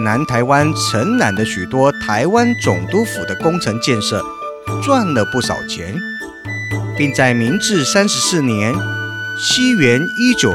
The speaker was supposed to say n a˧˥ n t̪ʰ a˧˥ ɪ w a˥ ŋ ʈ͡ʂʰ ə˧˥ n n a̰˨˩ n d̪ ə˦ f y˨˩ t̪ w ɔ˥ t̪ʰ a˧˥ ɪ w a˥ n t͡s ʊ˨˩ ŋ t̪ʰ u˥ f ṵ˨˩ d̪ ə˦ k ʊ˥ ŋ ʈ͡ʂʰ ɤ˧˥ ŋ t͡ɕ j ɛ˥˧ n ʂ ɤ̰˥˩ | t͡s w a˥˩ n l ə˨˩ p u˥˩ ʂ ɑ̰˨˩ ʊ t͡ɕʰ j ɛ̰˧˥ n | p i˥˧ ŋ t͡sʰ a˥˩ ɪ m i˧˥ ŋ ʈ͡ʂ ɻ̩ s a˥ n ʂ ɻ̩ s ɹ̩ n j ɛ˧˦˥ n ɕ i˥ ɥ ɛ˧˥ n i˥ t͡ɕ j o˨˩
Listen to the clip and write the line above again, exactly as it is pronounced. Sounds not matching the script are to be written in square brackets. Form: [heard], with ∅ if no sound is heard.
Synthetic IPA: n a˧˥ n t̪ʰ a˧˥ ɪ w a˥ [n] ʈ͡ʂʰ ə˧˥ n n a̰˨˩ n d̪ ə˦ [ɕ] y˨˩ t̪ w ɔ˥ t̪ʰ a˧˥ ɪ w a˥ n t͡s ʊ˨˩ ŋ [t̪] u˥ f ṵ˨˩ d̪ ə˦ k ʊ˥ ŋ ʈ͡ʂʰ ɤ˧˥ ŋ t͡ɕ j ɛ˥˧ n ʂ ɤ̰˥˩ | t͡s w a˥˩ n l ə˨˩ p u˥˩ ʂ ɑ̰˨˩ ʊ t͡ɕʰ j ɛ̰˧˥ n | p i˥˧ ŋ [t͡s] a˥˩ ɪ m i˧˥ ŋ ʈ͡ʂ ɻ̩ s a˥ n ʂ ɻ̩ s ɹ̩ n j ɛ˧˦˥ n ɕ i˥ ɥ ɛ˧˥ n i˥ t͡ɕ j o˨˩